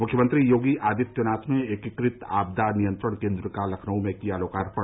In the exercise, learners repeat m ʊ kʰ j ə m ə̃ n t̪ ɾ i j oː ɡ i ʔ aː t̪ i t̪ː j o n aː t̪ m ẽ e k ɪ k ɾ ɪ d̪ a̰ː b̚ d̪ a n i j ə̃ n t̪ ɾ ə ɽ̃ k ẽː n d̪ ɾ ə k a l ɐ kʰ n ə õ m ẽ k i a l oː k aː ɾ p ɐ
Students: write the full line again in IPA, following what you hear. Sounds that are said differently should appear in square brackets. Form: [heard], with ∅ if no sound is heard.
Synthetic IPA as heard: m ʊ kʰ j ə m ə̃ n t̪ ɾ i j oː ɡ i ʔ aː [d̪] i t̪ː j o n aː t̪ m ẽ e k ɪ k ɾ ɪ [t̪] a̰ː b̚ d̪ a n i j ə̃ n t̪ ɾ ə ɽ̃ k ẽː n d̪ ɾ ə k a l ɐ kʰ n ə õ m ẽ k i a l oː k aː ɾ p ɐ